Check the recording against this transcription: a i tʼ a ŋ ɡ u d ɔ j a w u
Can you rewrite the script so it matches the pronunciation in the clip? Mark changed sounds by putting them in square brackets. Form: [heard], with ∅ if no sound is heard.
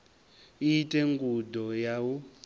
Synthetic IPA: [i] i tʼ [ɛ] ŋ ɡ u d ɔ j a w u

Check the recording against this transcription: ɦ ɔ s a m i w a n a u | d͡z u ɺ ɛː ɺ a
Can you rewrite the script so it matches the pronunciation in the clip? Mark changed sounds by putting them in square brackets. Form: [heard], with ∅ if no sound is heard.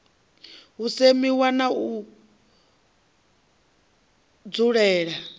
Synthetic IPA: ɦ [u] s [e] m i w a n a u | d͡z u ɺ ɛː ɺ a

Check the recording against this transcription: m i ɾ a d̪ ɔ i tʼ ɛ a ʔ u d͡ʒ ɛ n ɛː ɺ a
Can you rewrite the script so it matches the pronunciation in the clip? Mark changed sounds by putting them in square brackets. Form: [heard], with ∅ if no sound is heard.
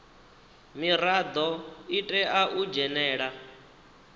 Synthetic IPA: m i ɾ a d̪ ɔ i tʼ ɛ a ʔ u d͡ʒ ɛ n ɛː ɺ a

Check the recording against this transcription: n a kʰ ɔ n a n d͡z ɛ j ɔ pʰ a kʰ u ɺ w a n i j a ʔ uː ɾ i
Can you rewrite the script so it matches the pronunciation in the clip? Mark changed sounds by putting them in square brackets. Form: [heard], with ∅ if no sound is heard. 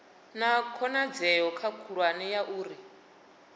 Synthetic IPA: n a kʰ ɔ n a [∅] d͡z ɛ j ɔ [kʰ] a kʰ u ɺ w a n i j a ʔ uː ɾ i

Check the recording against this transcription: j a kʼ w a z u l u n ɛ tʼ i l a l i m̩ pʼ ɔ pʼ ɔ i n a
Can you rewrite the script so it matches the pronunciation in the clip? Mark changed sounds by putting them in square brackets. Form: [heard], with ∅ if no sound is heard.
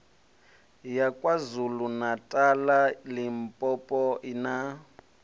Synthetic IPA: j a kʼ w a z u l u n [a] tʼ [a] l a l i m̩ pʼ ɔ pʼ ɔ i n a

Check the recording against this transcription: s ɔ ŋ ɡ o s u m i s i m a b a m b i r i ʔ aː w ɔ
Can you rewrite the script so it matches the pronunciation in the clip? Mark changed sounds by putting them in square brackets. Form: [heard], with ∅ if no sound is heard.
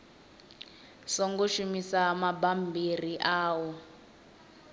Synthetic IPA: s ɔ ŋ ɡ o [ʃ] u m i s [a] m a b a m b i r i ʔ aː w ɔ

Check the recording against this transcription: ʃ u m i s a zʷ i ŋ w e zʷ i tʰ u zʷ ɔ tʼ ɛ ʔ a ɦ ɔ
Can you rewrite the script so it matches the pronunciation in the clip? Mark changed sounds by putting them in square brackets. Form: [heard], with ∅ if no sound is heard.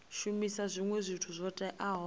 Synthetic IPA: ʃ u m i s a zʷ i ŋ w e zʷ i tʰ u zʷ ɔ tʼ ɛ ʔ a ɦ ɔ

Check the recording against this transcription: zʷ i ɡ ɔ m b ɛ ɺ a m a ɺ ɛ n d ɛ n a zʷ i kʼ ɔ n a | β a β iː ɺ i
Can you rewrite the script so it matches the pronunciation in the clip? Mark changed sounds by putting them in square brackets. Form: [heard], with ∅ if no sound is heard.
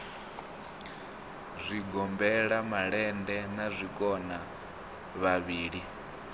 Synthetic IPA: zʷ i ɡ ɔ m b ɛ ɺ a m a ɺ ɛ n d ɛ n a zʷ i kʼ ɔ n a | β a β iː ɺ i

